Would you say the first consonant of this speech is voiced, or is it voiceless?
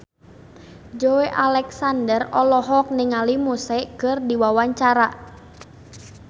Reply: voiced